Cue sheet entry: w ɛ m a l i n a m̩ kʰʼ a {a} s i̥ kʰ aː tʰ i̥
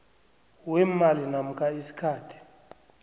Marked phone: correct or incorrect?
incorrect